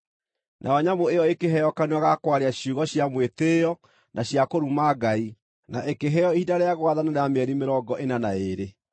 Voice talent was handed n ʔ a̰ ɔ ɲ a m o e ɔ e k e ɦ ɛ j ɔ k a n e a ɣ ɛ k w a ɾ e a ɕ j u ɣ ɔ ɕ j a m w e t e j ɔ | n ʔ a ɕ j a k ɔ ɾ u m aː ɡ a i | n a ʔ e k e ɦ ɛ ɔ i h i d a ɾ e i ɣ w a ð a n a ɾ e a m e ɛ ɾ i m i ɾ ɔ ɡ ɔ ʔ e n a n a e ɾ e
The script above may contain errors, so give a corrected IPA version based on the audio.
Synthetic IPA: n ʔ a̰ ɔ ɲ a m o e ɔ e k e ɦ ɛ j ɔ k a n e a ɣ a k w a ɾ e a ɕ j u ɣ ɔ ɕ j a m w e t e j ɔ | n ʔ a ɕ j a k o ɾ u m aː ɡ a i | n a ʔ e k e ɦ ɛ ɔ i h i d a ɾ e a ɣ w a ð a n a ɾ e a m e ɛ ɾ i m e ɾ ɔ ɡ ɔ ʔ e n a n a e ɾ e